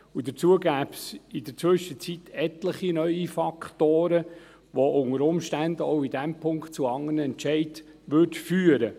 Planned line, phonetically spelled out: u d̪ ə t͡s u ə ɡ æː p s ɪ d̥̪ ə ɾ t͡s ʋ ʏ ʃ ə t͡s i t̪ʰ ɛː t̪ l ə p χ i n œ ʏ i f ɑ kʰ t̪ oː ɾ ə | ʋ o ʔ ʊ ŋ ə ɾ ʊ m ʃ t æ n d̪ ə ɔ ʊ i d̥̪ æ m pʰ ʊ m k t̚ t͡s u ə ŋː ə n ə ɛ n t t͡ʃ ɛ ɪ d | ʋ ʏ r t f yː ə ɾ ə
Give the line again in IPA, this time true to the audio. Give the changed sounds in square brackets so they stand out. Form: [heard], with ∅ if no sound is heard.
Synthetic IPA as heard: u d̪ ə t͡s u ə ɡ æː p s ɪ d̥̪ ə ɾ t͡s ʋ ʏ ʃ ə t͡s i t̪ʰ [ɛ] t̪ l ə [∅] χ i n œ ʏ i f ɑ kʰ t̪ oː ɾ ə | ʋ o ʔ ʊ ŋ ə ɾ ʊ m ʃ t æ n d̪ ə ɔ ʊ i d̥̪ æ m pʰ ʊ [ŋ] k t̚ t͡s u [ɑ] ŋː ə n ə ɛ n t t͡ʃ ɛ ɪ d | ʋ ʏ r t f yː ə ɾ ə